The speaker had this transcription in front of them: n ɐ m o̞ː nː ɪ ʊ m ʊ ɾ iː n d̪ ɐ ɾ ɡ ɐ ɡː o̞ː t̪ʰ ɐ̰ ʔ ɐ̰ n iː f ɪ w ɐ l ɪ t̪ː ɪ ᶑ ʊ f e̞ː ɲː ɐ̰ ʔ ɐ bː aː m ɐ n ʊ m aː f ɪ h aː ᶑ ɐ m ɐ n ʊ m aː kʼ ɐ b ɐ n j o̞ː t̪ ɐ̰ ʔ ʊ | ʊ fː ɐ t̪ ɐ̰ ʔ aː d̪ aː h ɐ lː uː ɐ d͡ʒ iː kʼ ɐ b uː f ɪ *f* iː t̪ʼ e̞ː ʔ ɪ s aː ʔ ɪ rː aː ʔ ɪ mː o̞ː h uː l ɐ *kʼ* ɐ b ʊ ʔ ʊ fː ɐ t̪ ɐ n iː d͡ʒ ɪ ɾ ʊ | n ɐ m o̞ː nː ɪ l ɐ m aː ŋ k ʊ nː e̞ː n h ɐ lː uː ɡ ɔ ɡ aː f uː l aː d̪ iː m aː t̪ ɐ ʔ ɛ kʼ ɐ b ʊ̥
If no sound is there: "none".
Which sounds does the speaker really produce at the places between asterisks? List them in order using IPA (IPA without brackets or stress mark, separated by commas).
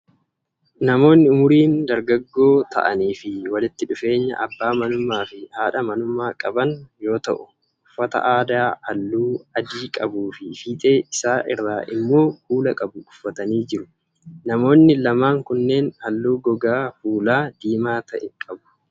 f, kʼ